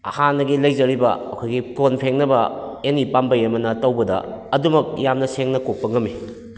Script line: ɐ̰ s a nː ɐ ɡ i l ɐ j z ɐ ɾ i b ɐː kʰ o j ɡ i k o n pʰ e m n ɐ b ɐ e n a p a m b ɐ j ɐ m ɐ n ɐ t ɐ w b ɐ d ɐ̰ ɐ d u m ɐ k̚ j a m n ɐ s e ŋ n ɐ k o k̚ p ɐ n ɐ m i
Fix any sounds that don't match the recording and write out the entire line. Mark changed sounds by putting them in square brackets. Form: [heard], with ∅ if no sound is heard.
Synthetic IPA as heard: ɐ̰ [h] a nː ɐ ɡ i l ɐ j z ɐ ɾ i b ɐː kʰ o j ɡ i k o n pʰ e [ŋ] n ɐ b ɐ e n [i] p a m b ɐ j ɐ m ɐ n ɐ t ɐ w b ɐ d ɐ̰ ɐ d u m ɐ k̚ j a m n ɐ s e ŋ n ɐ k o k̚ p ɐ [ŋ] ɐ m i